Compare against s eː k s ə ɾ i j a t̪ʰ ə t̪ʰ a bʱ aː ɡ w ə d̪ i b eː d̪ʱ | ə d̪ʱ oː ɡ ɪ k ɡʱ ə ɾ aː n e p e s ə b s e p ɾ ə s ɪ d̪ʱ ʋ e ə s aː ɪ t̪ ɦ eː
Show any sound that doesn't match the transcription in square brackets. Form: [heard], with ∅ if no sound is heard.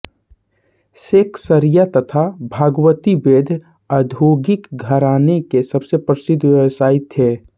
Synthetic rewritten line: s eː k s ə ɾ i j a [t̪] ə t̪ʰ a bʱ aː ɡ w ə [t̪] i b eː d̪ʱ | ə d̪ʱ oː ɡ ɪ k ɡʱ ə ɾ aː n e [k] e s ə b s e p ɾ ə s ɪ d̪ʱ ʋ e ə s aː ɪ t̪ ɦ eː

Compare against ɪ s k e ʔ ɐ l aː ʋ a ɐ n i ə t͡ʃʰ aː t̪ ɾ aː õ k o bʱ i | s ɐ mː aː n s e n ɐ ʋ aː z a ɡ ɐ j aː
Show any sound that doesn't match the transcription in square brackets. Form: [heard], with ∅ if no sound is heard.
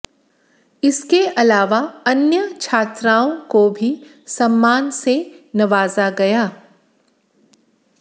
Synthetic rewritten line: ɪ s k e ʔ ɐ l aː ʋ a ɐ n [j] ə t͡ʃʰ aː t̪ ɾ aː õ k o bʱ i | s ɐ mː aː n s e n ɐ ʋ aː z a ɡ ɐ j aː

